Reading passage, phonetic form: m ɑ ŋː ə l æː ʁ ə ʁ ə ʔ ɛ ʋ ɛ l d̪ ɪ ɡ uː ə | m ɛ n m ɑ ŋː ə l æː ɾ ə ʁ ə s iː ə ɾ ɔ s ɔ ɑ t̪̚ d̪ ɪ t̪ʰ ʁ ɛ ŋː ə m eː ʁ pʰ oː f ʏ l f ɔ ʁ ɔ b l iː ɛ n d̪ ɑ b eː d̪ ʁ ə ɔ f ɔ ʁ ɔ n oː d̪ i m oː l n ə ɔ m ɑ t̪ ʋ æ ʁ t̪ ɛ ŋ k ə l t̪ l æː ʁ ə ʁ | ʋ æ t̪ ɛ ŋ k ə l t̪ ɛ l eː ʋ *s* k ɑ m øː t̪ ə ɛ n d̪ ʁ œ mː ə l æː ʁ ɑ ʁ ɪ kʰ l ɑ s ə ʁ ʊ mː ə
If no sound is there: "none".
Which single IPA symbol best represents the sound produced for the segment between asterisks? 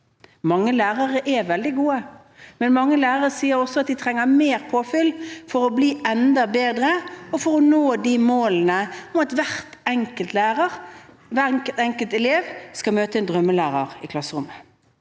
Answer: s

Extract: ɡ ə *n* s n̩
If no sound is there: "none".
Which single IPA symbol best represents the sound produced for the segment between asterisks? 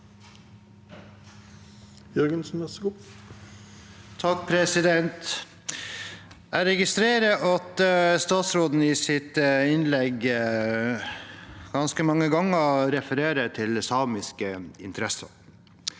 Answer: n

